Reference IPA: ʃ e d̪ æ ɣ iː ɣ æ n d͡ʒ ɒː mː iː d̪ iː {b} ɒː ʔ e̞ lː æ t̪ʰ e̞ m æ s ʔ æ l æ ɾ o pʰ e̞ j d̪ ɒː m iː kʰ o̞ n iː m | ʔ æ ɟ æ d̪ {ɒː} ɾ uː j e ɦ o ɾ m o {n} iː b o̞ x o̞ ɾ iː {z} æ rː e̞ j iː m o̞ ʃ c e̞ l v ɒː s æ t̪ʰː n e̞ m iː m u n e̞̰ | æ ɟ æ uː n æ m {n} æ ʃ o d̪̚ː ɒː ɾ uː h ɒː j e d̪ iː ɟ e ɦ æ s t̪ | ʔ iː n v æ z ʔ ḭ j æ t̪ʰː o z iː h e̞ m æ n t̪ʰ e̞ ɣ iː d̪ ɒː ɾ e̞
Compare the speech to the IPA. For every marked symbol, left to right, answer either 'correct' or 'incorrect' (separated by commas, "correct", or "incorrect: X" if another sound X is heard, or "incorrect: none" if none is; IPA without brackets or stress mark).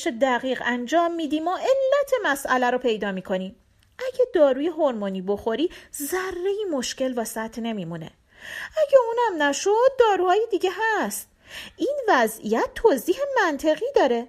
incorrect: m, correct, correct, correct, correct